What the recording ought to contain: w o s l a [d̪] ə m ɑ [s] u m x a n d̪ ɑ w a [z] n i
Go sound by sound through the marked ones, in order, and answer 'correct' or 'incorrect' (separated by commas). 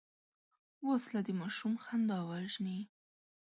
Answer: correct, incorrect, incorrect